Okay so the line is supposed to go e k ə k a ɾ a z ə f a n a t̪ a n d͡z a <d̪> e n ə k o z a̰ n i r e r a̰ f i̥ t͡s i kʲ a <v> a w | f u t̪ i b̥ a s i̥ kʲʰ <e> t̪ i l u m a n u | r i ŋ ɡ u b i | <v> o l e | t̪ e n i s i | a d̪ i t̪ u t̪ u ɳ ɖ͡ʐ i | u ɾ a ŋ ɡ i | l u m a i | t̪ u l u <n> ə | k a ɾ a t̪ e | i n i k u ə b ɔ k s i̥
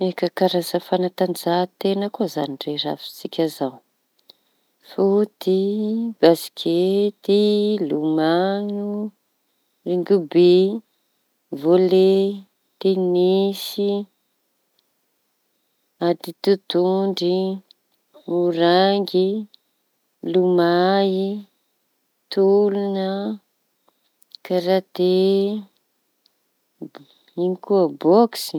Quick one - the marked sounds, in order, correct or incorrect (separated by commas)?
incorrect, incorrect, correct, correct, correct